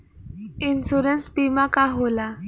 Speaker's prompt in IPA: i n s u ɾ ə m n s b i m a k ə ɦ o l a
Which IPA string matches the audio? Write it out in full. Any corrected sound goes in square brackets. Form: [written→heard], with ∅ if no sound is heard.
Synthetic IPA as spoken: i n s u ɾ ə [m→∅] n s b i m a k [ə→a] ɦ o l a